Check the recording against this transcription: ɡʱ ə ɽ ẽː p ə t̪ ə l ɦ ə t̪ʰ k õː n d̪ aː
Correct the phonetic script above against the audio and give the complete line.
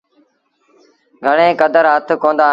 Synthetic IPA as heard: ɡʱ ə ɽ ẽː k ə d̪ ə ɾ ɦ ə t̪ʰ k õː n d̪ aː